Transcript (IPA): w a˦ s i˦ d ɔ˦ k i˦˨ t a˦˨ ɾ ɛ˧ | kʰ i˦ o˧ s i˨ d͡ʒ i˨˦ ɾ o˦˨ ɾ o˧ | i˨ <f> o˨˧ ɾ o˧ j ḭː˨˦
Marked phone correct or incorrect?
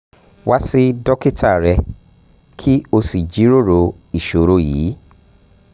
incorrect